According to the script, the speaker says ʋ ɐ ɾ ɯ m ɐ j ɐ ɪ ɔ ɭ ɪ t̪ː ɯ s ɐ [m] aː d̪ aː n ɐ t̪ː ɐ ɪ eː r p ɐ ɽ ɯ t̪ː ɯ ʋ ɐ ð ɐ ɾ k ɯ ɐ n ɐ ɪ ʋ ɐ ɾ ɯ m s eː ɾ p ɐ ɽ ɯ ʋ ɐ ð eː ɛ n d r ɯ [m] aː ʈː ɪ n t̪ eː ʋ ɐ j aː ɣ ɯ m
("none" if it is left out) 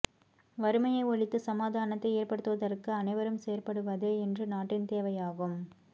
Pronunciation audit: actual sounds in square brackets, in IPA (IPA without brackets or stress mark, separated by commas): m, n